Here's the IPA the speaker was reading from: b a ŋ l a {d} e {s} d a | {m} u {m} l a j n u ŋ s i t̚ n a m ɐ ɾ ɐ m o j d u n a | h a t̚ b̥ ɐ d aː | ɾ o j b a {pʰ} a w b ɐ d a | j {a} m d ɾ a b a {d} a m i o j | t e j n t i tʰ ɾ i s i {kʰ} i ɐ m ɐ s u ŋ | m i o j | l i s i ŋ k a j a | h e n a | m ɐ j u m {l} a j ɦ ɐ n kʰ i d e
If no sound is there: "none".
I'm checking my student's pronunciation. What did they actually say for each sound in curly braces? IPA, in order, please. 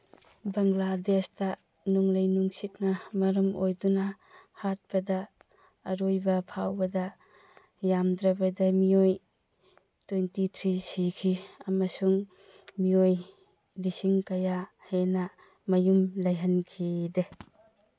d, s, n, ŋ, pʰ, a, d, kʰ, l

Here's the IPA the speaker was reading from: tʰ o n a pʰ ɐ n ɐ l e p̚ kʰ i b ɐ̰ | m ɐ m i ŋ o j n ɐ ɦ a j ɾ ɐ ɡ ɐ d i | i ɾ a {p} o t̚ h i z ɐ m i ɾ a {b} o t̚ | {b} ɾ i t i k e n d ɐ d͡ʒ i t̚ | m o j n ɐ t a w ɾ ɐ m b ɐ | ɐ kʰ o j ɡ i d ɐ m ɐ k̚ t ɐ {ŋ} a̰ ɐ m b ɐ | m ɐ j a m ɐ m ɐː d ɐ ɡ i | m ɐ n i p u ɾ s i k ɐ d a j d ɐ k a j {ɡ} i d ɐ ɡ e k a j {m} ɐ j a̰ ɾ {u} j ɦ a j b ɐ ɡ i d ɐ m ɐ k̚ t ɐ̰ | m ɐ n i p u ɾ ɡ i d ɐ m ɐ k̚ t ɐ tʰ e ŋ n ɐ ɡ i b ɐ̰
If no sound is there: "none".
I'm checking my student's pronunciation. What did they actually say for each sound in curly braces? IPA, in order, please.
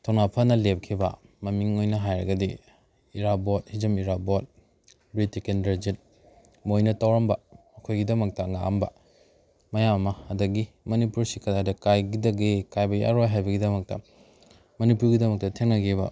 b, b, b, ŋ, ɡ, b, o

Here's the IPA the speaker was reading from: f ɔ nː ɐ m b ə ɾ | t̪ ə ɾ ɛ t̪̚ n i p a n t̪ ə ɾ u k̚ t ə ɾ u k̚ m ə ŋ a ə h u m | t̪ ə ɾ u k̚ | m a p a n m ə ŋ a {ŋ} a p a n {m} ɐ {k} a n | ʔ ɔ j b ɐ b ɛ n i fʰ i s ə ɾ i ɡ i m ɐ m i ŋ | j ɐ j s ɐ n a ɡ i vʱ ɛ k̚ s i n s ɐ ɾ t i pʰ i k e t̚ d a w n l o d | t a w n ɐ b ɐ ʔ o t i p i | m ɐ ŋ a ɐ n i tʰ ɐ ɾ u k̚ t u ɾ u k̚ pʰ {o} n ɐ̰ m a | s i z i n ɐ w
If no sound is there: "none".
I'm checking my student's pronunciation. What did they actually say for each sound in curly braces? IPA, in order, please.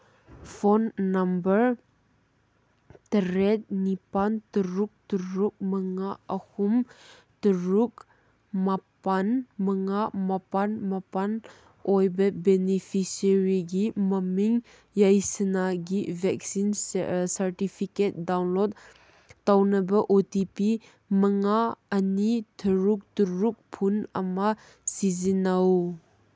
m, m, p, u

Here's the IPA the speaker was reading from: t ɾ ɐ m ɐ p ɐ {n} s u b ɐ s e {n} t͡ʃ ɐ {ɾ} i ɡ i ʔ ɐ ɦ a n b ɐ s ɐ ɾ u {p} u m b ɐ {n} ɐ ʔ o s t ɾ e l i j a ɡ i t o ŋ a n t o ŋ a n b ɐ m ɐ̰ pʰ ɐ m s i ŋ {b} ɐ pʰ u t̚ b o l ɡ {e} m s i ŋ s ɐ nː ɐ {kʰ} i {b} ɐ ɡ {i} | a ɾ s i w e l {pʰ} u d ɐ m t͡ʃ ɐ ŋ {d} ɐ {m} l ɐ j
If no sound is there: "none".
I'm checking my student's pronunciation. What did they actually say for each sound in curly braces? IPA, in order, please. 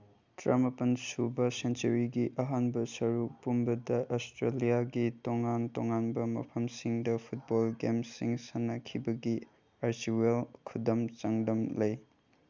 n, n, ɾ, p, d, d, e, kʰ, b, i, kʰ, d, m

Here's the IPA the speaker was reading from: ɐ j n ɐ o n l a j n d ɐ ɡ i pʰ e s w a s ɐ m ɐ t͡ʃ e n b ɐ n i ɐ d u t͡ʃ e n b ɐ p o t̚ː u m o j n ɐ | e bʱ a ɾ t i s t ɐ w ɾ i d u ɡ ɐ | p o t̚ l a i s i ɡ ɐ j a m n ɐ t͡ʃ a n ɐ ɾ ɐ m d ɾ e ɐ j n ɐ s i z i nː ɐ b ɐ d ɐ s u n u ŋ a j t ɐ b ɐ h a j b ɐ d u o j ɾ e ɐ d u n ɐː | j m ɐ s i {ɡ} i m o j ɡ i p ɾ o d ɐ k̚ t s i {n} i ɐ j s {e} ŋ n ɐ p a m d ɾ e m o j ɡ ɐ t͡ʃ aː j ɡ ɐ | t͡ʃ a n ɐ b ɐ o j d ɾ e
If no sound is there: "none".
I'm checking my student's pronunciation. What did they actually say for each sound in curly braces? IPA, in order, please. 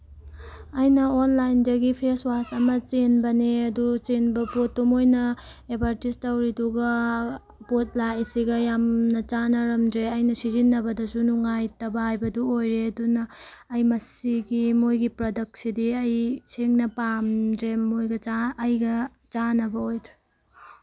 ɡ, d, e

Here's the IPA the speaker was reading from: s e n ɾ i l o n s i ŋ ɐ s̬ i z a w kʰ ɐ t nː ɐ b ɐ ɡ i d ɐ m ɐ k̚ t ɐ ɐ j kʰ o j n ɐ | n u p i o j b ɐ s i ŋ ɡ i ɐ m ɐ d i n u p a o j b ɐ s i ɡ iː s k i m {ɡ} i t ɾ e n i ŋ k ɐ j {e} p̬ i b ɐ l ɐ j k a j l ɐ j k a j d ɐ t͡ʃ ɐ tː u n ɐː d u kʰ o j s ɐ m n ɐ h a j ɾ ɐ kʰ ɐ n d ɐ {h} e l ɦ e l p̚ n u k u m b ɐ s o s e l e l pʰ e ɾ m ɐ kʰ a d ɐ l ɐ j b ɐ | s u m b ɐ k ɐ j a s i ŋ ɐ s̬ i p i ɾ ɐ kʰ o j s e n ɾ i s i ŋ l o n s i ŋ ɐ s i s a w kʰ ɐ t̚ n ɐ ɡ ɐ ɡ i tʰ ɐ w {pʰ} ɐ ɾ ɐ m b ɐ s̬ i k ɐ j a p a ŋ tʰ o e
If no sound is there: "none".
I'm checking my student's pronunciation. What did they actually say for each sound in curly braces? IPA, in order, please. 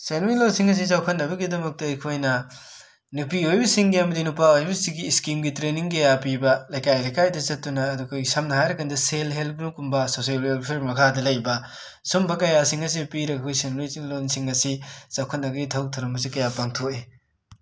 ɡ, a, s, tʰ

